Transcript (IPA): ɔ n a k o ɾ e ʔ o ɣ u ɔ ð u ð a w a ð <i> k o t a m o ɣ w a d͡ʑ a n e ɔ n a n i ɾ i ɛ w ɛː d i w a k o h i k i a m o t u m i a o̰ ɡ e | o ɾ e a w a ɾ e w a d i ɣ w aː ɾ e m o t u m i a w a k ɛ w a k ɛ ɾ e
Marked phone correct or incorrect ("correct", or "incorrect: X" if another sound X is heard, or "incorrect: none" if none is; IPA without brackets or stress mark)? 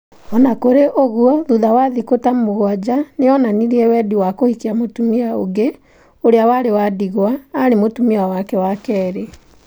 correct